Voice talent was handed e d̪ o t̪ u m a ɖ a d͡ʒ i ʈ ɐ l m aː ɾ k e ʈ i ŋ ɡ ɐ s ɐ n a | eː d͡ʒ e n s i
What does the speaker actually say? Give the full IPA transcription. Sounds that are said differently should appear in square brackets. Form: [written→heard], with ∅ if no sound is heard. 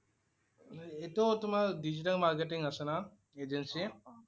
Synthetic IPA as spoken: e [d̪→t̪] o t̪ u m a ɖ [a→i] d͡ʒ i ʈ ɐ l m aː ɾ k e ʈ i ŋ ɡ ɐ s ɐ n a | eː d͡ʒ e n s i